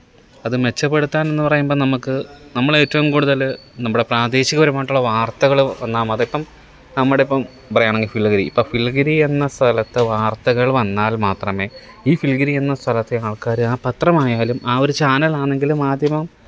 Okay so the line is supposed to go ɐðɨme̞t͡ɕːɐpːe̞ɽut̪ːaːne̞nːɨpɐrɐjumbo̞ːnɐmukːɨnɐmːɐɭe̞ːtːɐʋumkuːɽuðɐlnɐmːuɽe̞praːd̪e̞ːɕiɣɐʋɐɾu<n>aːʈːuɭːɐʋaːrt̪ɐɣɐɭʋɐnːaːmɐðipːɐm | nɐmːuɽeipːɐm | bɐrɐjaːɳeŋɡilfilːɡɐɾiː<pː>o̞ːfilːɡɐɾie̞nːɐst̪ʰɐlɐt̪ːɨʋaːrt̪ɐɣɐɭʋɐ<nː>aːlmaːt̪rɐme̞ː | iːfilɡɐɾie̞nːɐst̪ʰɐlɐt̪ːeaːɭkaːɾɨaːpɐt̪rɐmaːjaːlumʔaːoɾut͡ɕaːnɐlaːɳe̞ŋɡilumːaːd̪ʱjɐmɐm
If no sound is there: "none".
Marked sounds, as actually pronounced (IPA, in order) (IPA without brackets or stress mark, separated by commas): m, pː, nː